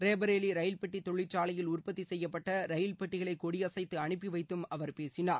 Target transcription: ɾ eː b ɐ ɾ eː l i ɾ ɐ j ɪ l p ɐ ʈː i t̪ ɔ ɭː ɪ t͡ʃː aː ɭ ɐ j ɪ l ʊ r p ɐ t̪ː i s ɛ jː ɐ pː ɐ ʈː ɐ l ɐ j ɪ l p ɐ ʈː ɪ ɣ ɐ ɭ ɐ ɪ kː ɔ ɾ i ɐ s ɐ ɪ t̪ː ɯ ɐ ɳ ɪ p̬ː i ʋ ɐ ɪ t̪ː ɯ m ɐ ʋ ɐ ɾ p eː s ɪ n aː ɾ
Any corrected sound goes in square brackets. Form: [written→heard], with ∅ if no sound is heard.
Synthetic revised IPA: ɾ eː b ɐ ɾ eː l i ɾ ɐ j ɪ l p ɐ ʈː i t̪ ɔ ɭː ɪ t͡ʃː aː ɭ ɐ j ɪ l ʊ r p ɐ t̪ː i s ɛ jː ɐ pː ɐ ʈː ɐ [l→ɾ] ɐ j ɪ l p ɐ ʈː ɪ ɣ ɐ ɭ ɐ ɪ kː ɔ [ɾ→ɽ] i ɐ s ɐ ɪ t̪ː ɯ ɐ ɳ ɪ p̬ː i ʋ ɐ ɪ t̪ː ɯ m ɐ ʋ ɐ ɾ p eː s ɪ n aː ɾ